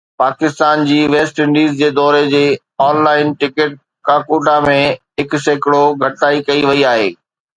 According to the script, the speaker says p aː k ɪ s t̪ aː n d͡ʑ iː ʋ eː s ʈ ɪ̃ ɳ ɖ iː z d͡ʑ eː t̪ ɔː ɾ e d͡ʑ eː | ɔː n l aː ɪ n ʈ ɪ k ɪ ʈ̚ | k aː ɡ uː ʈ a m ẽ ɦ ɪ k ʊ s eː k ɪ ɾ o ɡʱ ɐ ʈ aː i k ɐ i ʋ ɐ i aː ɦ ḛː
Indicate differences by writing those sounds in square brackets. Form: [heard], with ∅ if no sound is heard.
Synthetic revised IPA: p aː k ɪ s t̪ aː n d͡ʑ iː ʋ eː s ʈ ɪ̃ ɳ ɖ iː z d͡ʑ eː [d̪] ɔː ɾ e d͡ʑ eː | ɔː n l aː ɪ n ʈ ɪ k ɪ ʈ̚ | k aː [k] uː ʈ a m ẽ ɦ ɪ k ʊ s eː k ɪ [ɽ] o ɡʱ ɐ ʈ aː i k ɐ i ʋ ɐ i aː ɦ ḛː